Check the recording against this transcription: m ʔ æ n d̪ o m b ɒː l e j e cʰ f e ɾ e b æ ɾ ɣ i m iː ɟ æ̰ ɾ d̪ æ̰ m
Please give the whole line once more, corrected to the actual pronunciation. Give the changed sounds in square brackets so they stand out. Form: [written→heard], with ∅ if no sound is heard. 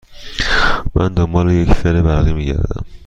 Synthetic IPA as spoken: m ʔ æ n d̪ o m b ɒː l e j e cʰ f e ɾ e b æ ɾ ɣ i m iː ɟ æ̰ ɾ d̪ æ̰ m